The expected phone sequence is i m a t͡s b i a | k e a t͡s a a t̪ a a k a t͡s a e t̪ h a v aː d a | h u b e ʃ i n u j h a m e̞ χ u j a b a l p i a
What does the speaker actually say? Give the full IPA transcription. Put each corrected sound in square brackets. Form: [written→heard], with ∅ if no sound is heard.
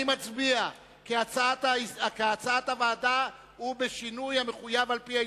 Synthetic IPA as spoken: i m a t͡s b i a | k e a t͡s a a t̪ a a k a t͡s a [e→a] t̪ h a v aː d a | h u b e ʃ i n u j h a m e̞ χ u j a [b→v] a l p i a